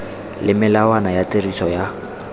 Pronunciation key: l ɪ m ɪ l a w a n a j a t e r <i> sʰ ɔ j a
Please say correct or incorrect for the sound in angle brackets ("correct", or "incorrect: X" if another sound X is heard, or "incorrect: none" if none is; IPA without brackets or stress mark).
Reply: correct